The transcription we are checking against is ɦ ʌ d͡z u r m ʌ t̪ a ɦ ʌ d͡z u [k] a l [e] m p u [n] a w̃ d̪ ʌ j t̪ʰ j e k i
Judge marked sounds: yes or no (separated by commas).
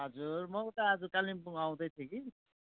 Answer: yes, no, no